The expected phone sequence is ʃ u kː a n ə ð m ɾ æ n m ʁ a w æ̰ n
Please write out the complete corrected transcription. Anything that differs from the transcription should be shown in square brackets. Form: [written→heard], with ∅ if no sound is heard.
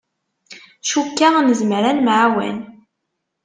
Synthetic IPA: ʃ u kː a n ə [ð→z] m ɾ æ n m [ʁ→ʕ] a w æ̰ n